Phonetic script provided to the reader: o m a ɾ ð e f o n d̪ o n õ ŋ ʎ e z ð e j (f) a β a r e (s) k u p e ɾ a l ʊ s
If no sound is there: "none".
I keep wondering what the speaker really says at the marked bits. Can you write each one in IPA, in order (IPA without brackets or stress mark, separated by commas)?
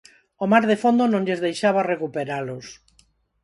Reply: ʃ, none